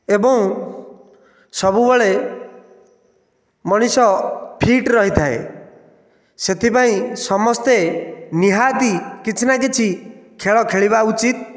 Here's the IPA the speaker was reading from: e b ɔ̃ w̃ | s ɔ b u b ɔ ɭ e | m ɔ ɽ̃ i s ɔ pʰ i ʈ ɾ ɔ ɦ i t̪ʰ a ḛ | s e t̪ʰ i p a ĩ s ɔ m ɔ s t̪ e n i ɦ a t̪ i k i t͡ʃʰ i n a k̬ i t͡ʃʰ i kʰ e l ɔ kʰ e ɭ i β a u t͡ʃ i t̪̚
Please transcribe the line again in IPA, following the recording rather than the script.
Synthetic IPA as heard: e b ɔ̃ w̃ | s ɔ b u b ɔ ɭ e | m ɔ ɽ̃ i s ɔ pʰ i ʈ ɾ ɔ ɦ i t̪ʰ a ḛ | s e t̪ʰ i p a ĩ s ɔ m ɔ s t̪ e n i ɦ a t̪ i k i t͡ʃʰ i n a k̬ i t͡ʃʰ i kʰ e ɭ ɔ kʰ e ɭ i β a u t͡ʃ i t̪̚